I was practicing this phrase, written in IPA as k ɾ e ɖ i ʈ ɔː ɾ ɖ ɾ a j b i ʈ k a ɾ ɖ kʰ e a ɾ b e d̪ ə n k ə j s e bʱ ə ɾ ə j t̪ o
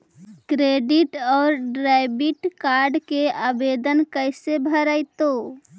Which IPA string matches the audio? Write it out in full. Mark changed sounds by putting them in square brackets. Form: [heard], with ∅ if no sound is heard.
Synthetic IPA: k ɾ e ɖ i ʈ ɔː ɾ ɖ ɾ a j b i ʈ k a ɾ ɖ [k] e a [∅] b e d̪ ə n k ə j s e bʱ ə ɾ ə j t̪ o